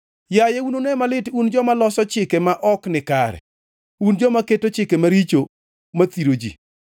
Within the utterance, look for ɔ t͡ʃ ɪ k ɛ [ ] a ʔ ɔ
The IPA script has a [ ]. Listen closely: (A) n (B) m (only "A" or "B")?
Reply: B